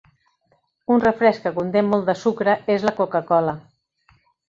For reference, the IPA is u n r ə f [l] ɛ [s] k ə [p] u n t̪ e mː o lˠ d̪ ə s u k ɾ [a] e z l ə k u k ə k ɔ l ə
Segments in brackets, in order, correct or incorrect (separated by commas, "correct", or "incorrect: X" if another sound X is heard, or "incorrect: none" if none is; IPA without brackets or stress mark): incorrect: ɾ, correct, incorrect: k, incorrect: ə